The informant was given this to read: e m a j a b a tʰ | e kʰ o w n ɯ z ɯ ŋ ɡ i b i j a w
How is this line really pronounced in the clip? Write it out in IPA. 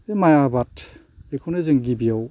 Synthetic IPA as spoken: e m a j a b a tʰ | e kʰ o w n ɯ z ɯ ŋ ɡ i b i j a w